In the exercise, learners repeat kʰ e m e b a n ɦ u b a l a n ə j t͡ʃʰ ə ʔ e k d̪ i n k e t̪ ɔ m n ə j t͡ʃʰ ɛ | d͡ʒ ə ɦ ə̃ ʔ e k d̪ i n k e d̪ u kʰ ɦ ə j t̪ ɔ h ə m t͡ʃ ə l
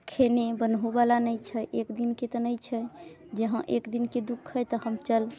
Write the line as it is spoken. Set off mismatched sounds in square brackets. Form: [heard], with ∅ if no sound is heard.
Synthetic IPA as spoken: kʰ e [n] e b [ə] n ɦ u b a l a n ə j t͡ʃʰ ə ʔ e k d̪ i n k e t̪ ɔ [∅] n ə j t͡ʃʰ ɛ | d͡ʒ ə ɦ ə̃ ʔ e k d̪ i n k e d̪ u kʰ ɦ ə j t̪ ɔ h ə m t͡ʃ ə l